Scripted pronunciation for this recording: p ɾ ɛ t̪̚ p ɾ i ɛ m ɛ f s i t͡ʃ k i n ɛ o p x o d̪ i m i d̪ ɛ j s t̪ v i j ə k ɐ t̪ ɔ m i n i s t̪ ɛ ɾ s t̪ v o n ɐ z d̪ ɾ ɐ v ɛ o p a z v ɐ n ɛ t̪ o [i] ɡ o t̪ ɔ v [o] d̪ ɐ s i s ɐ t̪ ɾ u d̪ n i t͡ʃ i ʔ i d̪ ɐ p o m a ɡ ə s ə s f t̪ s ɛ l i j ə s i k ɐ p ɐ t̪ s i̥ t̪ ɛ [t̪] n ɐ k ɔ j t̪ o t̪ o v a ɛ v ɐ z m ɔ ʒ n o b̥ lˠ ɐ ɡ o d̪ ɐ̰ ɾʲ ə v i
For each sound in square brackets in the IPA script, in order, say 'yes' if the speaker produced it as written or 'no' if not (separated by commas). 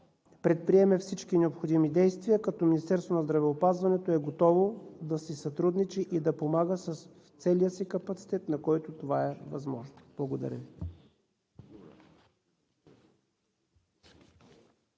no, yes, yes